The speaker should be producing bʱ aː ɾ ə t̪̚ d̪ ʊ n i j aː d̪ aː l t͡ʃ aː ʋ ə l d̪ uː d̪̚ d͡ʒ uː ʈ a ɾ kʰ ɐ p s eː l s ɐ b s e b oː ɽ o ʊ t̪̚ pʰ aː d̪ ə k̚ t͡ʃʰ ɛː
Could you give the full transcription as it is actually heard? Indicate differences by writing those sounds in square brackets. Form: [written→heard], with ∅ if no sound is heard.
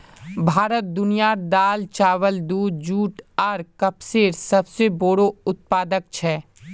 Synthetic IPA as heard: bʱ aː ɾ ə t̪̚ d̪ ʊ n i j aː d̪ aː l t͡ʃ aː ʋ ə l d̪ uː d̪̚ d͡ʒ uː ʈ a ɾ [kʰ→k] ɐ p s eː [l→ɾ] s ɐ b s e b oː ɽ o ʊ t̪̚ [pʰ→p] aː d̪ ə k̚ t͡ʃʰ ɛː

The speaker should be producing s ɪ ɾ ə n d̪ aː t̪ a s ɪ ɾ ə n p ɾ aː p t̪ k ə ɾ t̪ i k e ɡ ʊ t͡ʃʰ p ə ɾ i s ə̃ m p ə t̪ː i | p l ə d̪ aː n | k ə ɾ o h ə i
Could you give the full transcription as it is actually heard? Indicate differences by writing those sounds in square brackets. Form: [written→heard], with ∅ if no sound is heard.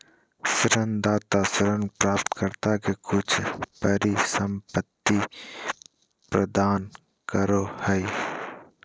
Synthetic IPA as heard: s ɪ ɾ ə n d̪ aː t̪ a s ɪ ɾ ə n p ɾ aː p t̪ k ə ɾ t̪ [i→a] k e [ɡ→k] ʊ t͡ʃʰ p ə ɾ i s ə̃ m p ə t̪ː i | p [l→ɾ] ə d̪ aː n | k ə ɾ o h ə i

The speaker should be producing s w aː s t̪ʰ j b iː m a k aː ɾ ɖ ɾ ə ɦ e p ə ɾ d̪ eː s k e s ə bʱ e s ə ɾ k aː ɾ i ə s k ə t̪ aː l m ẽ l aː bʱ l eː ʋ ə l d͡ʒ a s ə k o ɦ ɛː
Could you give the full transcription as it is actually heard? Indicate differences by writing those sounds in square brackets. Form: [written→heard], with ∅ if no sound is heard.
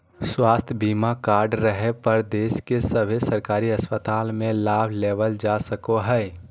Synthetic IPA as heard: s w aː s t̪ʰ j b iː m a k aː ɾ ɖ ɾ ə ɦ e p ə ɾ d̪ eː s k e s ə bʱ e s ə ɾ k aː ɾ i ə s [k→p] ə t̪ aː l m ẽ l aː bʱ l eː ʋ ə l d͡ʒ a s ə k o ɦ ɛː

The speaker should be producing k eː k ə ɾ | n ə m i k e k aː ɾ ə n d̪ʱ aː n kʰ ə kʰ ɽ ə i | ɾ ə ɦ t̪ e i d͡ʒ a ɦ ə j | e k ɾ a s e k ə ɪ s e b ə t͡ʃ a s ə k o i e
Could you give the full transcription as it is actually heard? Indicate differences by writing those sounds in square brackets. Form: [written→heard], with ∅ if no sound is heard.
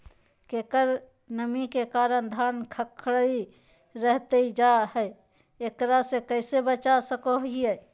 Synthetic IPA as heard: k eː k ə ɾ | n ə m i k e k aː ɾ ə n d̪ʱ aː n kʰ ə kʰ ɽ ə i | ɾ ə ɦ t̪ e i d͡ʒ a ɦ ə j | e k ɾ a s e k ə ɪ s e b ə t͡ʃ a s ə k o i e

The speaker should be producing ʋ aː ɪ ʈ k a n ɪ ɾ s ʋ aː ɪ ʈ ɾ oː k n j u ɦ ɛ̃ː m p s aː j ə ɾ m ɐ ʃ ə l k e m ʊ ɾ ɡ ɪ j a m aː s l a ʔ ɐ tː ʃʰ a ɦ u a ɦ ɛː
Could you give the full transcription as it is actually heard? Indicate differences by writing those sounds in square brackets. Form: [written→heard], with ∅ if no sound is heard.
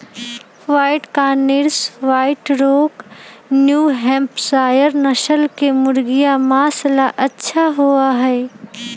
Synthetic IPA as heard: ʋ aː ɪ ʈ k a n ɪ ɾ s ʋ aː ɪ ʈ ɾ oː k n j u ɦ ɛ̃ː m p s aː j ə ɾ [m→n] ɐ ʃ ə l k e m ʊ ɾ ɡ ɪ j a m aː s l a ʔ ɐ tː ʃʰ a ɦ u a ɦ ɛː

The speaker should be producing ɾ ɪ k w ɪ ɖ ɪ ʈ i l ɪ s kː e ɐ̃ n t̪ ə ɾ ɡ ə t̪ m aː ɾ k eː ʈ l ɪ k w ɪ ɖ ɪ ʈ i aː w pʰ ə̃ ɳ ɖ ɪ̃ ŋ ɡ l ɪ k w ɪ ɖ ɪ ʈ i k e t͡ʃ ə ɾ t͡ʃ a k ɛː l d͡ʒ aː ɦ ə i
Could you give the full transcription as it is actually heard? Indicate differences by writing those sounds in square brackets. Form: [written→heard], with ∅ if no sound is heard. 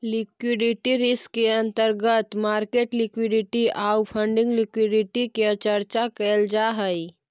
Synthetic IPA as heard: [ɾ→l] ɪ k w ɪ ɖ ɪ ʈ i [l→ɾ] ɪ s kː e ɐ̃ n t̪ ə ɾ ɡ ə t̪ m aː ɾ k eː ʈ l ɪ k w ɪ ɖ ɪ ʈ i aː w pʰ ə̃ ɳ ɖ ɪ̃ ŋ ɡ l ɪ k w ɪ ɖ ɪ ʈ i k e t͡ʃ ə ɾ t͡ʃ a k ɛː l d͡ʒ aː ɦ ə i

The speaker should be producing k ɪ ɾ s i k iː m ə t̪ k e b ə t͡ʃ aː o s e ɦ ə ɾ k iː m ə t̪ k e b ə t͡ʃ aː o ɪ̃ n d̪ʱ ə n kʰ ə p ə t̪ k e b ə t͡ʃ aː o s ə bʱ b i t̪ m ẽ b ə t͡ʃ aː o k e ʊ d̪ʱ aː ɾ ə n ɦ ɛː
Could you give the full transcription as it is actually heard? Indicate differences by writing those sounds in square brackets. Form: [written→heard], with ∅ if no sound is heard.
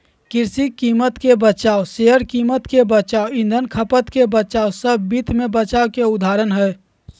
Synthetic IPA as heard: k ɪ ɾ s i k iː m ə t̪ k e b ə t͡ʃ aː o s e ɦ ə ɾ k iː m ə t̪ k e b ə t͡ʃ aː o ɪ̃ n d̪ʱ ə n kʰ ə p ə t̪ k e b ə t͡ʃ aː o s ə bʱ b i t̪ m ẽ b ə t͡ʃ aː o k e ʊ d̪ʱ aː ɾ ə n ɦ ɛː

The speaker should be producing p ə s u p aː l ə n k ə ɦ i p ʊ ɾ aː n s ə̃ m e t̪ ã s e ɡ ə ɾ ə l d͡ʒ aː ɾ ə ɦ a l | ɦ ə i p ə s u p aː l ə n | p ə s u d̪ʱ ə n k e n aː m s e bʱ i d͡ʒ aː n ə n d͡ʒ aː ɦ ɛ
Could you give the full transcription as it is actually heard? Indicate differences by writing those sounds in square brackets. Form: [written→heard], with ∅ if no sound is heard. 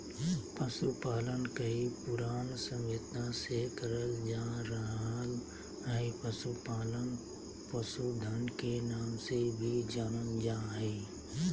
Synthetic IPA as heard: p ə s u p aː l ə n k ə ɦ i p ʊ ɾ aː n s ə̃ m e t̪ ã s e [ɡ→k] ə ɾ ə l d͡ʒ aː ɾ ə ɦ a l | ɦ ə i p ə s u p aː l ə n | p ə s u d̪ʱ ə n k e n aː m s e bʱ i d͡ʒ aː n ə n d͡ʒ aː ɦ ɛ

